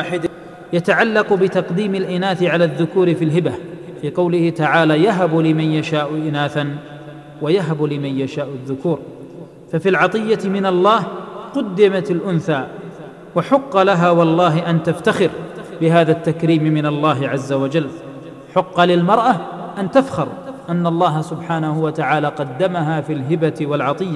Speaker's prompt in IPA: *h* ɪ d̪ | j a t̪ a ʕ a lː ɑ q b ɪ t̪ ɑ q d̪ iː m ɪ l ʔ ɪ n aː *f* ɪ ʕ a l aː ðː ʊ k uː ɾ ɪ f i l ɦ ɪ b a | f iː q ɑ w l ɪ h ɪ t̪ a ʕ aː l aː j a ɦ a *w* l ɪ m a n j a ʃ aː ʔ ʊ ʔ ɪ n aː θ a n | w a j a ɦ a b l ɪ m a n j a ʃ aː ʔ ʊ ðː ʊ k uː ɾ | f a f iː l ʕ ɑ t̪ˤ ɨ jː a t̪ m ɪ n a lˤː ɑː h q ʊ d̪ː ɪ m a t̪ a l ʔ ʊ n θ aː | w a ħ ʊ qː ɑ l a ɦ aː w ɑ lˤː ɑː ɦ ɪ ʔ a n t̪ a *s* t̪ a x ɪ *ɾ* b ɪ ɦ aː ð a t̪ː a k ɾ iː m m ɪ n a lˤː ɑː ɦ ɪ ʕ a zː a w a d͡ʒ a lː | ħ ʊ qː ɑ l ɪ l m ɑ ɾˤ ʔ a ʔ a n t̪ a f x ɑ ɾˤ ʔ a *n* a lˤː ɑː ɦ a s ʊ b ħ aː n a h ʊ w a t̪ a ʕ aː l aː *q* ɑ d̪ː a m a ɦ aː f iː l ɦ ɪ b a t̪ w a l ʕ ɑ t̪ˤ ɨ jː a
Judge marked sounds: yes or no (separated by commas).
no, no, no, no, yes, no, yes